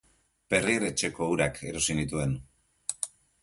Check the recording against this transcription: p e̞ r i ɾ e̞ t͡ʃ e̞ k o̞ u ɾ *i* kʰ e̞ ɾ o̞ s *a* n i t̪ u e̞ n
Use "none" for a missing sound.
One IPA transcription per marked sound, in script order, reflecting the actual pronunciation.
a, i

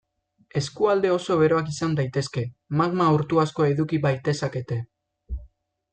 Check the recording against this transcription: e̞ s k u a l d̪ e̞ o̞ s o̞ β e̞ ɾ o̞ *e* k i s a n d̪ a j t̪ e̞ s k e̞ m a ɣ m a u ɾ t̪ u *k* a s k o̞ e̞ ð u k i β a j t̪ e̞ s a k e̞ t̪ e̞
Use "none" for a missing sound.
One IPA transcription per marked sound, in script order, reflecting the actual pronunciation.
a, none

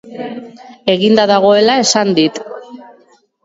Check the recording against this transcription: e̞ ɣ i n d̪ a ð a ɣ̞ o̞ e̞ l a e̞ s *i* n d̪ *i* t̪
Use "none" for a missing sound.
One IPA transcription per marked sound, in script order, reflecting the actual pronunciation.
a, i

